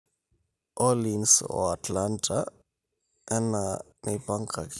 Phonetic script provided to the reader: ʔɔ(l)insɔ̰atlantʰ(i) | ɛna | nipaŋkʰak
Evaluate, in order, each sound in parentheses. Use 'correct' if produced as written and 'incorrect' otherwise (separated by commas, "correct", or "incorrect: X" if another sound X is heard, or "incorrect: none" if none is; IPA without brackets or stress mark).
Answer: correct, incorrect: a